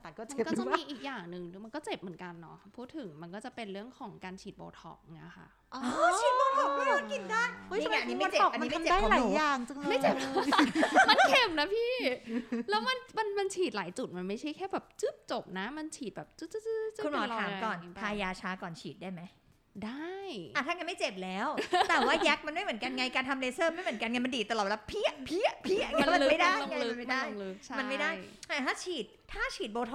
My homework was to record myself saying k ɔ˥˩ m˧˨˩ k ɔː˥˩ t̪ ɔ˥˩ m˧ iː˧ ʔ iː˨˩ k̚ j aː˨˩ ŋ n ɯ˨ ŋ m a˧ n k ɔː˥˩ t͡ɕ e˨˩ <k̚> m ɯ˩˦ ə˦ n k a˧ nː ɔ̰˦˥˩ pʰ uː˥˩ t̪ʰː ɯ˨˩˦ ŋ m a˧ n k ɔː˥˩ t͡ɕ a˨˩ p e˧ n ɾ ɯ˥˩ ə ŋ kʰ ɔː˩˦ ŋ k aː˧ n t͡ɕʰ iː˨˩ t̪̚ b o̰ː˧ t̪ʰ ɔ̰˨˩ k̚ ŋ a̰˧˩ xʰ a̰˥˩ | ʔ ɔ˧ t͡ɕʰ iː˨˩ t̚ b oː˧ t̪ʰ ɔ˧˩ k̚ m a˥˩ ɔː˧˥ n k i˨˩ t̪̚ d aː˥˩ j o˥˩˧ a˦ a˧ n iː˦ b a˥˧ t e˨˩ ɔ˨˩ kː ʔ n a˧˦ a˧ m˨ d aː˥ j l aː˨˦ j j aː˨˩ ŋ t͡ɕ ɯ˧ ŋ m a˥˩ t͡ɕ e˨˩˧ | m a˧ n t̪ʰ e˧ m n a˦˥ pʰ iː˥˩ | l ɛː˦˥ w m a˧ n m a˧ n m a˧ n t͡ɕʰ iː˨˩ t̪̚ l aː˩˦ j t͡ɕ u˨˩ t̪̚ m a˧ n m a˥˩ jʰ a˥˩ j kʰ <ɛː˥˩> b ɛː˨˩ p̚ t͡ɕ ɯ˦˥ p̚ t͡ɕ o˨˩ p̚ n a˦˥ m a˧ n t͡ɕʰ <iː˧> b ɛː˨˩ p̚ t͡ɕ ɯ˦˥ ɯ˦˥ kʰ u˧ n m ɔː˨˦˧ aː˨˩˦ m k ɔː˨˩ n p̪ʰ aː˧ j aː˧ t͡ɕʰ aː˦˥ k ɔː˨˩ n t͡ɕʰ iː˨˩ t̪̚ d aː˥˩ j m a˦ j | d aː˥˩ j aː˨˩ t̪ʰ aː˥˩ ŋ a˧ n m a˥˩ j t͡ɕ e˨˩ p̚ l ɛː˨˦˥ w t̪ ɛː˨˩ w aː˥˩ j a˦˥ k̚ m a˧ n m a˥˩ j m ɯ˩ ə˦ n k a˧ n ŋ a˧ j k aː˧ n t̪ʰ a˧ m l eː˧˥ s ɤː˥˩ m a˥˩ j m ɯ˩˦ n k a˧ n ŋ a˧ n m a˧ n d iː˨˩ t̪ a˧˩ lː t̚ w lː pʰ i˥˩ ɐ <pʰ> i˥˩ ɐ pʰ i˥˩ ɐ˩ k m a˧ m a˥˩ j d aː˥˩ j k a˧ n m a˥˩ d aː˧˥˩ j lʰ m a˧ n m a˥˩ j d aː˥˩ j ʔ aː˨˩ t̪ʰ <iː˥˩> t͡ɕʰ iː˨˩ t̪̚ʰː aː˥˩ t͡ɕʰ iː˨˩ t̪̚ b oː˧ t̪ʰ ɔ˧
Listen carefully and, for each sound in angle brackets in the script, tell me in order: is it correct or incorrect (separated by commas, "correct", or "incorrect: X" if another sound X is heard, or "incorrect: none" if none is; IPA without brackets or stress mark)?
incorrect: p̚, correct, incorrect: iː˨˩, correct, incorrect: aː˥˩